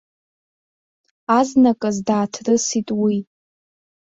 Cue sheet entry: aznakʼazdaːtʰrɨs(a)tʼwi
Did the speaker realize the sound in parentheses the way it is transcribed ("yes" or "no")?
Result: no